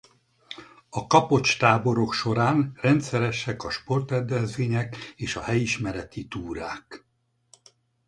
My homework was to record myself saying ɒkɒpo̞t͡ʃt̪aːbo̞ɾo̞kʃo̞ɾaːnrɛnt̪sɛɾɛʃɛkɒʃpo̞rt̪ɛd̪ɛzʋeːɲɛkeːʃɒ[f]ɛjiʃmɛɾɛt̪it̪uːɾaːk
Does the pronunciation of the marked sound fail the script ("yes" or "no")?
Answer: yes